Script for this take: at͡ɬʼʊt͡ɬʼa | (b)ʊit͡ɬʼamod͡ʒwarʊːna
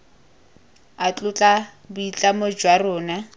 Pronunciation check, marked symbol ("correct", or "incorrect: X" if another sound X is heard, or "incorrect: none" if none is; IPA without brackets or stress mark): correct